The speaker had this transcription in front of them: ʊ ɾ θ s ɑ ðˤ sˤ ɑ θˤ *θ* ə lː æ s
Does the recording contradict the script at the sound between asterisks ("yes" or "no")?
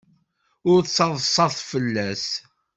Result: yes